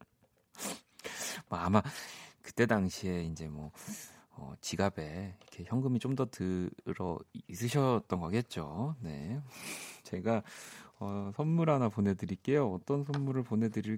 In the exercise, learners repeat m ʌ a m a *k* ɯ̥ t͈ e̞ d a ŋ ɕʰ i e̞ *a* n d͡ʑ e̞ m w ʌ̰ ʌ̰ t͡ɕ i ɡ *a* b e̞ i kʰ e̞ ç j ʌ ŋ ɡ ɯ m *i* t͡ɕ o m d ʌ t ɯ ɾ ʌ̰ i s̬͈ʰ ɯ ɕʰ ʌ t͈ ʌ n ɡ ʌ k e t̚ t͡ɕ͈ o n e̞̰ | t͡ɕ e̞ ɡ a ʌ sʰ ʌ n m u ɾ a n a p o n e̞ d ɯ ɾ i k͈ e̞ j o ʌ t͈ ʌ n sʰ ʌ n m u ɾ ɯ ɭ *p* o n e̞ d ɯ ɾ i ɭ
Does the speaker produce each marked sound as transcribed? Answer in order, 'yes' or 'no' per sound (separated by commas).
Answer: yes, no, yes, yes, yes